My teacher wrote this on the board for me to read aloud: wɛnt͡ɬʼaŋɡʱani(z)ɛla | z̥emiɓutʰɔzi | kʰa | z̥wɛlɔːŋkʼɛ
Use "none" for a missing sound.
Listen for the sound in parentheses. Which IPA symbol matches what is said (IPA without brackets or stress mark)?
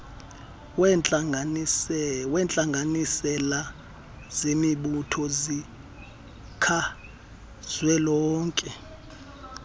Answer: s